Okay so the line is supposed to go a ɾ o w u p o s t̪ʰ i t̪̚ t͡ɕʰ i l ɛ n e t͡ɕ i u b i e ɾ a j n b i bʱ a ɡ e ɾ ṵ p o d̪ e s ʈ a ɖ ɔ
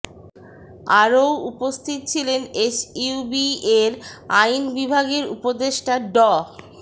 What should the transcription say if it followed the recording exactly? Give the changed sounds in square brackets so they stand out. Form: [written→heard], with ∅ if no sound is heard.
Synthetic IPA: a ɾ o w u p o s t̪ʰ i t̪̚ t͡ɕʰ i l [ɛ→e] n e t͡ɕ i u b i e ɾ a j n b i bʱ a ɡ e ɾ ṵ p o d̪ e [s→ʃ] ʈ a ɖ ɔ